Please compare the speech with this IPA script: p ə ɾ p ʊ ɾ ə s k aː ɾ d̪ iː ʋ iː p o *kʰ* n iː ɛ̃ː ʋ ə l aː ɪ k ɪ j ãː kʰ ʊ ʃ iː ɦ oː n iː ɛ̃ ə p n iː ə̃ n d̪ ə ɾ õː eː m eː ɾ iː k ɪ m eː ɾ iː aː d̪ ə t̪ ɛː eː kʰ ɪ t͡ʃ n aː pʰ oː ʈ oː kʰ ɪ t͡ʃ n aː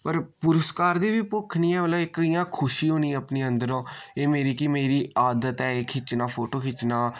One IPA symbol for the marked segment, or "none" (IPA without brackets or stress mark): kʰ